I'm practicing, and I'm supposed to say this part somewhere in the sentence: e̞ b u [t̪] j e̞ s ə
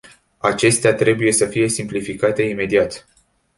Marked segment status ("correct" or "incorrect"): incorrect